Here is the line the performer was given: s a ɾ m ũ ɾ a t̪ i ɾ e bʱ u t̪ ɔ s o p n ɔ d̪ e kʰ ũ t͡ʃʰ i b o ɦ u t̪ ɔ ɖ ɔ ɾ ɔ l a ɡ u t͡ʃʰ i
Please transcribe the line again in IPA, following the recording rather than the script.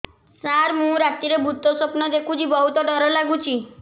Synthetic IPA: s a ɾ m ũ ɾ a t̪ i ɾ e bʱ u t̪ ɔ s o p n ɔ d̪ e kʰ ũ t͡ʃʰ i b ɔ ɦ u t̪ ɔ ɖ ɔ ɾ ɔ l a ɡ u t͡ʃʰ i